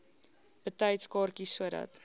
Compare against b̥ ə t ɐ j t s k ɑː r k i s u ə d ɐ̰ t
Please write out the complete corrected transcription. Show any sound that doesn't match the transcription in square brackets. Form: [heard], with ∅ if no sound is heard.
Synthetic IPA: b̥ ə t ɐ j t s k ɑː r k i s u ə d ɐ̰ t